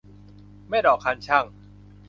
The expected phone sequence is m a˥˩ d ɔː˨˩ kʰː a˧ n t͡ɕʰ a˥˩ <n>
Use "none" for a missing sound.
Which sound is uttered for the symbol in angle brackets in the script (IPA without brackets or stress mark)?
ŋ